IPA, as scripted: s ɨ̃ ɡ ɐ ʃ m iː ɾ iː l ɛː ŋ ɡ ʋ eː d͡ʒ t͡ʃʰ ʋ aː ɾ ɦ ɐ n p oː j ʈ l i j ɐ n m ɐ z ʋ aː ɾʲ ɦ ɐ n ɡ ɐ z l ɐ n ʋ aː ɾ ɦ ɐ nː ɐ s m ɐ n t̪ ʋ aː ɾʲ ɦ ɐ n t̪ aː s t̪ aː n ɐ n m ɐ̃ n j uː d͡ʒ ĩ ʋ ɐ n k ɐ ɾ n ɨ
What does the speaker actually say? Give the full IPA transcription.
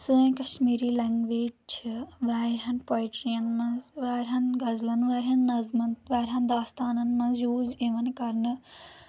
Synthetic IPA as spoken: s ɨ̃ k ɐ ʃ m iː ɾ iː l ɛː ŋ ɡ ʋ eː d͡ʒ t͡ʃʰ ʋ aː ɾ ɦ ɐ n p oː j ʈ ɾ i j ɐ n m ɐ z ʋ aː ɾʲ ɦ ɐ n ɡ ɐ z l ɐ n ʋ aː ɾ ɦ ɐ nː ɐ z m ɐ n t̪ ʋ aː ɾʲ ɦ ɐ n d̪ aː s t̪ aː n ɐ n m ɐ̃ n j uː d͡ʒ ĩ ʋ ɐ n k ɐ ɾ n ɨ